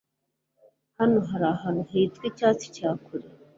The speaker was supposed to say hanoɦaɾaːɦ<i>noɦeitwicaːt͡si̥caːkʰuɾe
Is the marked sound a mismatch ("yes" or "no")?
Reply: yes